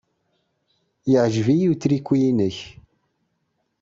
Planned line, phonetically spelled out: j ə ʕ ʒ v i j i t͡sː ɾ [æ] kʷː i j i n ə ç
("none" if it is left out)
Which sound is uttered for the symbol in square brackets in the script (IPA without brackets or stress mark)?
i